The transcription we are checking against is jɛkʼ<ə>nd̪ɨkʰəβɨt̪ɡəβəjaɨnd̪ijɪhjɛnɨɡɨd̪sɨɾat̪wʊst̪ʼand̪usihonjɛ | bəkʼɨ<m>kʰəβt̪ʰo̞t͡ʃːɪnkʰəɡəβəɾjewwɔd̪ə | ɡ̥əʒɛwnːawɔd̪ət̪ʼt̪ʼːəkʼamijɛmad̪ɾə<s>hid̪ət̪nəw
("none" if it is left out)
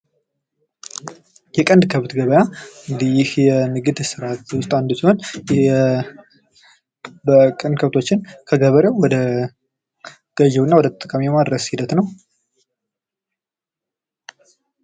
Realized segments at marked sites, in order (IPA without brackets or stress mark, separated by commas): ə, n, s